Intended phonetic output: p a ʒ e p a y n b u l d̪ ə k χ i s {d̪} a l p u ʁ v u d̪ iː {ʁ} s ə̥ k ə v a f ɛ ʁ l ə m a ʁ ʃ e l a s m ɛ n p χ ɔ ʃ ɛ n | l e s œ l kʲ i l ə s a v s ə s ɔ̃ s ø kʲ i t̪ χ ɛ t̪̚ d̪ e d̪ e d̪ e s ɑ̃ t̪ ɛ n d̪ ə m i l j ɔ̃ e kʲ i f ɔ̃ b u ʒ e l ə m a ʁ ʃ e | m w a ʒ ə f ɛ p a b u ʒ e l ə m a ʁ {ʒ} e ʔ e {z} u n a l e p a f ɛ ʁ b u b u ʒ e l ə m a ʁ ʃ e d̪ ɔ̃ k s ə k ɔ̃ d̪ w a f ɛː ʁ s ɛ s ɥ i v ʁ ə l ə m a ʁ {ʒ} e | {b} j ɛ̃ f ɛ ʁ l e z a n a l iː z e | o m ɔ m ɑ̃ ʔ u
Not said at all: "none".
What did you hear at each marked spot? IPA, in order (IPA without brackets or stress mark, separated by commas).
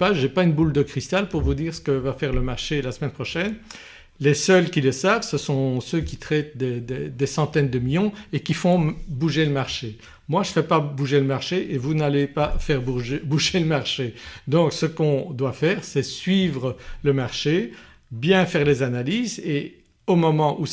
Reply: t̪, ʁ, ʃ, v, ʃ, b